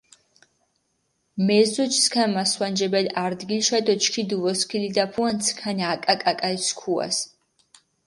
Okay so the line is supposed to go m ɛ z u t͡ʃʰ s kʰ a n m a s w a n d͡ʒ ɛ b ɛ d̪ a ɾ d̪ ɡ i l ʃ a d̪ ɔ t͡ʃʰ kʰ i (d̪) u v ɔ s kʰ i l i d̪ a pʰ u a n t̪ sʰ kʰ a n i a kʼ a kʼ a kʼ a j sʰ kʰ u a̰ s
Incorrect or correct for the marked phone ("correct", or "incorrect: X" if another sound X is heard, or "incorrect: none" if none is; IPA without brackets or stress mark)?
correct